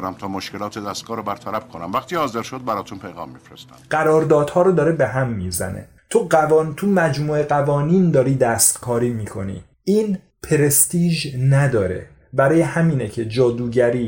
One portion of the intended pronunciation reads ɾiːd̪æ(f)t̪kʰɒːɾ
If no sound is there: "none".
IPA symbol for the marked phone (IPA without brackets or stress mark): s